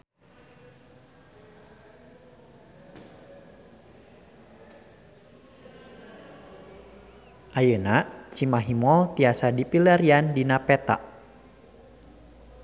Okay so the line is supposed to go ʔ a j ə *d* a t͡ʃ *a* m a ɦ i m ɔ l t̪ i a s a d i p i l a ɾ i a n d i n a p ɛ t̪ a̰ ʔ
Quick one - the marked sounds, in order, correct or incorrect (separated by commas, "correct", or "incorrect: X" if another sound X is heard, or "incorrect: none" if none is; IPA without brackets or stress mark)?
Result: incorrect: n, incorrect: i